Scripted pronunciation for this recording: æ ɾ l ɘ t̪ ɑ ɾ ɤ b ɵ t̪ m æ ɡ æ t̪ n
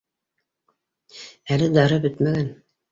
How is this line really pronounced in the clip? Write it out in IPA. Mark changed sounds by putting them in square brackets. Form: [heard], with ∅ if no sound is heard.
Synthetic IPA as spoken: æ [∅] l ɘ [d̪] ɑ ɾ ɤ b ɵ t̪ m æ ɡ æ [∅] n